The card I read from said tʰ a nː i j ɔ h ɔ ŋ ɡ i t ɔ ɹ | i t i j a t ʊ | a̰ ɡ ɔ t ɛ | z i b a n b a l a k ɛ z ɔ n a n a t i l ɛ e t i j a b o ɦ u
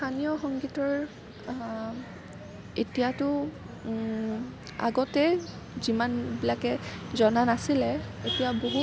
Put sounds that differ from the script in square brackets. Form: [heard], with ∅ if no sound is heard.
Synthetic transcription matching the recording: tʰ a [n] i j ɔ [x] ɔ ŋ ɡ i t ɔ ɹ | [e] t i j a t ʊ | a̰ ɡ ɔ t ɛ | z i [m] a n b [i] l a k ɛ z ɔ n a n a [s] i l ɛ e t i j a b o ɦ u